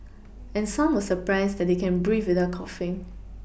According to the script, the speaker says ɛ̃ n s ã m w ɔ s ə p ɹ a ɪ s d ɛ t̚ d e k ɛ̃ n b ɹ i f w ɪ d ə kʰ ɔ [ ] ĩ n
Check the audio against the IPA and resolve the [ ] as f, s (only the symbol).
f